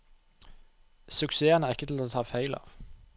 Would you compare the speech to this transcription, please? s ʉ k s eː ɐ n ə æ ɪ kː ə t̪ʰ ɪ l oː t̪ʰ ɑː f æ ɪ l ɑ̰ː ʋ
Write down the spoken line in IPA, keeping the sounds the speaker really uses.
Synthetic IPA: s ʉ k s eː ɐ n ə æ ɪ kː ə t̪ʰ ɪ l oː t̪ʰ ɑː f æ ɪ l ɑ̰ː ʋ